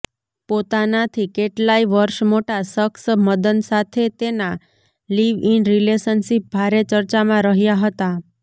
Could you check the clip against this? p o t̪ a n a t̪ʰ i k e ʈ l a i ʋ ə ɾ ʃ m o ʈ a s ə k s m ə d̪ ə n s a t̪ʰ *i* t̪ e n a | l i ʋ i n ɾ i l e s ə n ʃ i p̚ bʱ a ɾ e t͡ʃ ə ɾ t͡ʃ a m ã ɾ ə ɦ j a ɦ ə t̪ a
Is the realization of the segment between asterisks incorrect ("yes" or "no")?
yes